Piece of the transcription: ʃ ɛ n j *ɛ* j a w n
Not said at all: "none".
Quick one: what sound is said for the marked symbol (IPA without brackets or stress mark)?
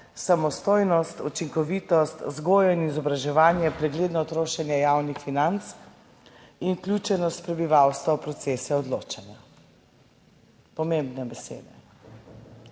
ɛ